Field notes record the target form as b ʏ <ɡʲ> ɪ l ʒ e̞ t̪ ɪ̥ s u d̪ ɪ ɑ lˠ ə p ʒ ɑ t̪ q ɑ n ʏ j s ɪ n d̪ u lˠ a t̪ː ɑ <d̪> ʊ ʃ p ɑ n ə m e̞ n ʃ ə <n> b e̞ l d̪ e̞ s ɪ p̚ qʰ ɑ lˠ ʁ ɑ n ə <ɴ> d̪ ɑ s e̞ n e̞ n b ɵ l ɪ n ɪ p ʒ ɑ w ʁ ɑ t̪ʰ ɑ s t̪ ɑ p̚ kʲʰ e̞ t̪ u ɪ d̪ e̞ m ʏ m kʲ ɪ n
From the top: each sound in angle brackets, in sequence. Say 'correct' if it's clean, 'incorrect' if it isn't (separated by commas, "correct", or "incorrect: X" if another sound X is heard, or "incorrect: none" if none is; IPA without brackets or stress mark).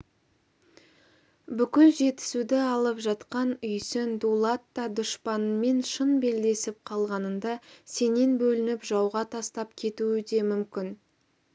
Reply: incorrect: kʲ, correct, correct, incorrect: n